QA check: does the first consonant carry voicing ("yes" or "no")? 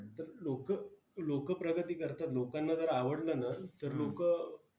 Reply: no